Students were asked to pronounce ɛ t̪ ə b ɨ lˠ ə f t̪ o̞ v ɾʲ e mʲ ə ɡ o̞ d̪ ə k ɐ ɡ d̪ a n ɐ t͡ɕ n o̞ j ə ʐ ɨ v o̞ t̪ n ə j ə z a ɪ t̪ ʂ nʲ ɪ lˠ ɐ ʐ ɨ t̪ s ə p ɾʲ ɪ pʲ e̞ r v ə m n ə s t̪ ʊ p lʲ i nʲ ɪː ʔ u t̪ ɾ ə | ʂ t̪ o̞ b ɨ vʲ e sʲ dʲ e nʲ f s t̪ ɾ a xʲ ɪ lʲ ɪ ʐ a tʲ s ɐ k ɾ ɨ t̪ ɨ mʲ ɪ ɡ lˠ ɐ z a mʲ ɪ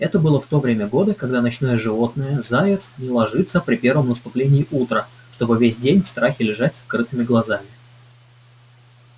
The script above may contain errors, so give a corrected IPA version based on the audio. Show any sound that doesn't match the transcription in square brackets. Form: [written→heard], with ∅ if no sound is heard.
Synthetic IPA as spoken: ɛ t̪ ə b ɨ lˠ ə f t̪ o̞ v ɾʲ e mʲ ə ɡ o̞ d̪ ə k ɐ ɡ d̪ a n ɐ t͡ɕ n o̞ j ə ʐ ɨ v o̞ t̪ n ə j ə z a ɪ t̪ [ʂ→s] nʲ ɪ lˠ ɐ ʐ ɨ t̪ s ə p ɾʲ ɪ pʲ e̞ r v ə m n ə s t̪ ʊ p lʲ [i→e] nʲ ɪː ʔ u t̪ ɾ ə | ʂ t̪ o̞ b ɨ vʲ e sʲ dʲ e nʲ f s t̪ ɾ a xʲ ɪ lʲ ɪ ʐ a tʲ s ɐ k ɾ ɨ t̪ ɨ mʲ ɪ ɡ lˠ ɐ z a mʲ ɪ